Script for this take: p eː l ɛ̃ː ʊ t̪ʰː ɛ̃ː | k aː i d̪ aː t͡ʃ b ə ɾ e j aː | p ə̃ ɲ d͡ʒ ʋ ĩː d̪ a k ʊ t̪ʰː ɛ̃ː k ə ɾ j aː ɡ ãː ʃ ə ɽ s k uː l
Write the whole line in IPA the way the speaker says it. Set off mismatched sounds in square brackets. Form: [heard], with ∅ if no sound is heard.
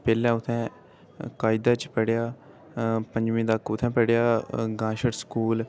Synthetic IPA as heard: p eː l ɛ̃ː ʊ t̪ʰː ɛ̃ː | k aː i d̪ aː t͡ʃ [p] ə [ɽ] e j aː | p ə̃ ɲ d͡ʒ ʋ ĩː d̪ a k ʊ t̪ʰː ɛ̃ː [p] ə [ɽ] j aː ɡ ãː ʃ ə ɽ s k uː l